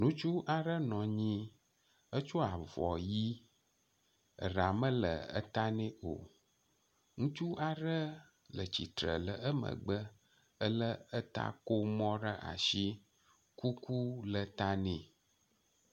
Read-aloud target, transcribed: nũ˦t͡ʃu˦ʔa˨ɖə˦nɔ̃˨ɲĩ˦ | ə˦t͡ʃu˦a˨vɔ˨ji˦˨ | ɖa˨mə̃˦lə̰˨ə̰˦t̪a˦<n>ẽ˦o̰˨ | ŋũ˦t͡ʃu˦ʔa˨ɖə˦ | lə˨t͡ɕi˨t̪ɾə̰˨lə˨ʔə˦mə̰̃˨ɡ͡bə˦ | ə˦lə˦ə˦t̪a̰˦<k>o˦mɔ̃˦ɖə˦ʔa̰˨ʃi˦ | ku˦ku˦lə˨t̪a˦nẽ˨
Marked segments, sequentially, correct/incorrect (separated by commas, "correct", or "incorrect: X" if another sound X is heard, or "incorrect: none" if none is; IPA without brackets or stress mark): correct, correct